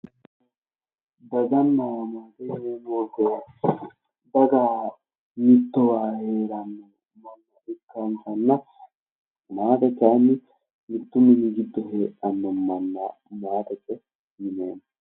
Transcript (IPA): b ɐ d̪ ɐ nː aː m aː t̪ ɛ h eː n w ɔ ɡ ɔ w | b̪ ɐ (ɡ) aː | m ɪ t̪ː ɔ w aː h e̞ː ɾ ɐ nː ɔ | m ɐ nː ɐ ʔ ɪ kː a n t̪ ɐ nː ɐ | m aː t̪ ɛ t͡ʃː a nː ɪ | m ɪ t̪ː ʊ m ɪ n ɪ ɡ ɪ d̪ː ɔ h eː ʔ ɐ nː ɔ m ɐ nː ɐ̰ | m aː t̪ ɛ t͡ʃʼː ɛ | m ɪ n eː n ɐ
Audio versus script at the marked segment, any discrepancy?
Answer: no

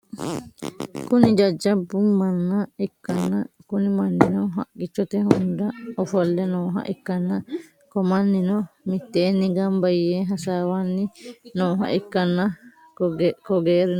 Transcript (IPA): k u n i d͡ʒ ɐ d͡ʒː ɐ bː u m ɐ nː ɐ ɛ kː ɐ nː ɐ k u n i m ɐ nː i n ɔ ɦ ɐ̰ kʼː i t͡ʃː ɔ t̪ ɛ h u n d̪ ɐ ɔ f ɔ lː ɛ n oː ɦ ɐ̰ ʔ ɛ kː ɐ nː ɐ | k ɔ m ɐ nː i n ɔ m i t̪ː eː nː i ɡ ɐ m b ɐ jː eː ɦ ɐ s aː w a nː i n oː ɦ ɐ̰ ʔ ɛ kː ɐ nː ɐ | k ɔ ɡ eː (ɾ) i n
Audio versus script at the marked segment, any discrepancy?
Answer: no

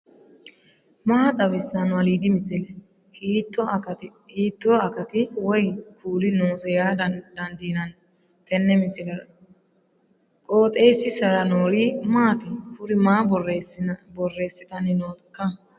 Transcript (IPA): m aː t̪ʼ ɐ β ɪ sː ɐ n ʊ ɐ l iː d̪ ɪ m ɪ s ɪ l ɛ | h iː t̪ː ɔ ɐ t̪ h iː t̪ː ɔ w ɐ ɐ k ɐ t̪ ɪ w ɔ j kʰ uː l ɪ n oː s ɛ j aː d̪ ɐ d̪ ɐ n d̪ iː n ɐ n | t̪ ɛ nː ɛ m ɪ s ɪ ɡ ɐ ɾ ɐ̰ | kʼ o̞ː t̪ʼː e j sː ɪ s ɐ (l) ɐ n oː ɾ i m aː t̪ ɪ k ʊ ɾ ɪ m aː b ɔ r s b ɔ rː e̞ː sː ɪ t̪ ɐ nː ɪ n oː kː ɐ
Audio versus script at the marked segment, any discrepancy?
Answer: yes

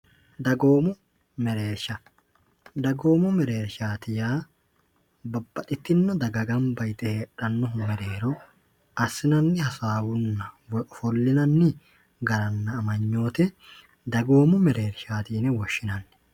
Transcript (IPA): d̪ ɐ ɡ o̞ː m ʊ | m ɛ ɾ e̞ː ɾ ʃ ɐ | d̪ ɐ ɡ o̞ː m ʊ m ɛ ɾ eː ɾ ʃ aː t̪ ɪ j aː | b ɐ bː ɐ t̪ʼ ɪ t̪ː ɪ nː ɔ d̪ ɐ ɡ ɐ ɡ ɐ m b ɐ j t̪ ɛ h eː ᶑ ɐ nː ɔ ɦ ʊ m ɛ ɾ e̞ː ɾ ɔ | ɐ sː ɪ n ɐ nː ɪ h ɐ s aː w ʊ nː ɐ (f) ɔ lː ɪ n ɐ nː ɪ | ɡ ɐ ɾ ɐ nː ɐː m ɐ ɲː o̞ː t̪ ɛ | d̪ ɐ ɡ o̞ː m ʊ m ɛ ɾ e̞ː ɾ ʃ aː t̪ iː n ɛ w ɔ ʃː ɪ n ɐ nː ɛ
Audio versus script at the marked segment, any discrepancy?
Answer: no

